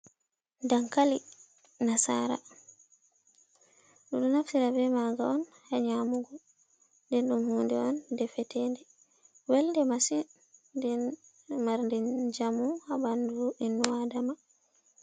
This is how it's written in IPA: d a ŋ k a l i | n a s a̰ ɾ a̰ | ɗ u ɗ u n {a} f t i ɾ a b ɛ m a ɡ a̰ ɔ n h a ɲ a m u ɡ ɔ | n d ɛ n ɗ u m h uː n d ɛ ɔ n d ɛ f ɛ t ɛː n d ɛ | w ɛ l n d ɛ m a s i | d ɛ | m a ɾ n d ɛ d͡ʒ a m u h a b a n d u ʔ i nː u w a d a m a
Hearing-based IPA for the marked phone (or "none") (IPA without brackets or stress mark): a